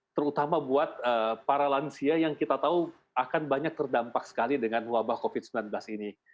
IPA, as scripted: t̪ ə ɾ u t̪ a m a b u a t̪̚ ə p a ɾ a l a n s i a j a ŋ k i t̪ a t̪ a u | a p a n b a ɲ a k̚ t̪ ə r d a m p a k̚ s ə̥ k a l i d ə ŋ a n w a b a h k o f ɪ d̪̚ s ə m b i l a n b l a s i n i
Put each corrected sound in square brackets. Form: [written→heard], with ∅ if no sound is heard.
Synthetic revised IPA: t̪ ə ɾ u t̪ a m a b u a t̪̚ ə p a ɾ a l a n s i a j a ŋ k i t̪ a t̪ a u | a [p→k] a n b a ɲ a k̚ t̪ ə r d a m p a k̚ s ə̥ k a l i d ə ŋ a n w a b a h k o f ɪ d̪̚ s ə m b i l a n b l a s i n i